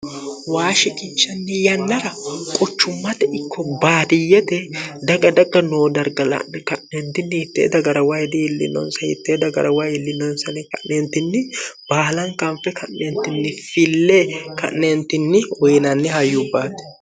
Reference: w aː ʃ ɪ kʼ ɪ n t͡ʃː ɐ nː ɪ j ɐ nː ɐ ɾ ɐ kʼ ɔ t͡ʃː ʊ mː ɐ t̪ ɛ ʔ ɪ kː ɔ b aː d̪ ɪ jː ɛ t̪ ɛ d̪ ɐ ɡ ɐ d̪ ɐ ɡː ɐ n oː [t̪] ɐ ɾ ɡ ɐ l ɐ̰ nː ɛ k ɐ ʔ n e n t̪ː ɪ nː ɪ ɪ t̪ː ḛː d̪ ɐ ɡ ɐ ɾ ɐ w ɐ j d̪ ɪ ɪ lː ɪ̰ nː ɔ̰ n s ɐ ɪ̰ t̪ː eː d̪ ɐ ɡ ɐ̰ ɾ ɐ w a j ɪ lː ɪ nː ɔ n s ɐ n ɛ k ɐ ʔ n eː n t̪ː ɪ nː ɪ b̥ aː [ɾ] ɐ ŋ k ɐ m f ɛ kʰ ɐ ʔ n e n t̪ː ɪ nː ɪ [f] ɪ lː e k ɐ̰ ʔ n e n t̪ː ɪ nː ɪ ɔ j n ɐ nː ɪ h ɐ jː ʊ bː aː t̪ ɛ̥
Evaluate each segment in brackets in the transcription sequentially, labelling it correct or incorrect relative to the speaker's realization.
incorrect, incorrect, correct

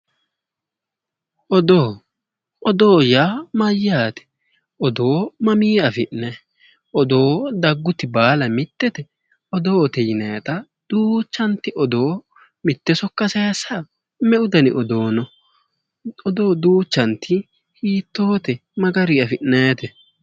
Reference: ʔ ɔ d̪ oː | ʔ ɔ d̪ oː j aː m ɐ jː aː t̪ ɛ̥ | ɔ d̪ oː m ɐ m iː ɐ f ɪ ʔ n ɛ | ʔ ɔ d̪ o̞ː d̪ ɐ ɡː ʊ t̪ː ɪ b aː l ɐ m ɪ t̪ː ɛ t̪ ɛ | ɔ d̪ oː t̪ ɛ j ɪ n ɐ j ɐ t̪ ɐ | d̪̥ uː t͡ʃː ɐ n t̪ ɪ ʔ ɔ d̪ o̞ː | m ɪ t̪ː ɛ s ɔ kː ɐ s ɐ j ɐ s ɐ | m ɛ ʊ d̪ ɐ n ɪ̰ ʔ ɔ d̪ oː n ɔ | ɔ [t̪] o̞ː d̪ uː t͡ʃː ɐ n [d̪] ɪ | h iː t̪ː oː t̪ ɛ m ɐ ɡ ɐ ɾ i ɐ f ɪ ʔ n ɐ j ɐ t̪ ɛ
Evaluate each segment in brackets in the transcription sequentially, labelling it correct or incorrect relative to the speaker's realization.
incorrect, incorrect

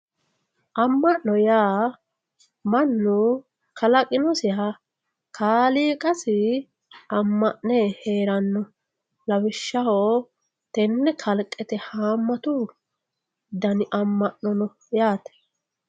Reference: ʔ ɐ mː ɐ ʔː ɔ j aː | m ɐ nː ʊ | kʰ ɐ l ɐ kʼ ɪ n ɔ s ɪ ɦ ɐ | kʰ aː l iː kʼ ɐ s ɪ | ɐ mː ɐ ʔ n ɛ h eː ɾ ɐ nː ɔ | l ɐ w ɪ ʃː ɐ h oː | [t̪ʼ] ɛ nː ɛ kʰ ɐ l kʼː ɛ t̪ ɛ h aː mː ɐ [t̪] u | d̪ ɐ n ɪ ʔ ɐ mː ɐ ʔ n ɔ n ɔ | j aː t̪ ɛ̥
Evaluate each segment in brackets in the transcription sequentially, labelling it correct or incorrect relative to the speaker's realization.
incorrect, correct

